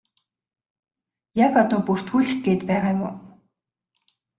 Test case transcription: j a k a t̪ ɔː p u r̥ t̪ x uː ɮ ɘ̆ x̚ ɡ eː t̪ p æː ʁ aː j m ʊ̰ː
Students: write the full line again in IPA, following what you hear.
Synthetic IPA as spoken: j a k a t̪ ɔː p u r̥ t̪ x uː ɮ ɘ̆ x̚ ɡ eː t̪ p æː ʁ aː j m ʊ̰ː